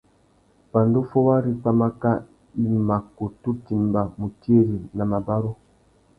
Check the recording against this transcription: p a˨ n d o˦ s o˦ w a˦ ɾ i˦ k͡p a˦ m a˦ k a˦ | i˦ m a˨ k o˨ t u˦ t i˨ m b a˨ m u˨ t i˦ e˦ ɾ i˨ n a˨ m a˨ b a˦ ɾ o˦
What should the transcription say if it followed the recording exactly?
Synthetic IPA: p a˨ n d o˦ f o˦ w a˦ ɾ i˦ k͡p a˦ m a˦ k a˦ | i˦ m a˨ k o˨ t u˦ t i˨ m b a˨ m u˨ t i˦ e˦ ɾ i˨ n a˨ m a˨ b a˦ ɾ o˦